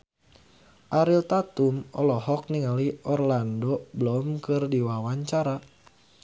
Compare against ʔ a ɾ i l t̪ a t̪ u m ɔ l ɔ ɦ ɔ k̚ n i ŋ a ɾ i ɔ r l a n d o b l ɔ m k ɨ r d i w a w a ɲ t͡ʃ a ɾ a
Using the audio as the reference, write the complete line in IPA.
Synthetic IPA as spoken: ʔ a ɾ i l t̪ a t̪ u m ɔ l ɔ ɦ ɔ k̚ n i ŋ a l i ɔ r l a n d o b l ɔ m k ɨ r d i w a w a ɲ t͡ʃ a ɾ a